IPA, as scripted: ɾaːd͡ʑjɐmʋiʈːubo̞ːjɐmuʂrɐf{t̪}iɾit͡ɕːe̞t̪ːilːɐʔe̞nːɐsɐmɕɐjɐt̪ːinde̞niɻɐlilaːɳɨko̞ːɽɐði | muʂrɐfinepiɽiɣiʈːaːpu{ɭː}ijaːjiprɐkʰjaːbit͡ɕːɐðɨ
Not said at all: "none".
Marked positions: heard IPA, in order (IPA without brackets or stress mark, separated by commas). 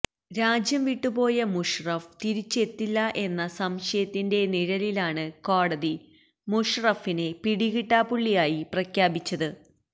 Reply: t̪, ɭː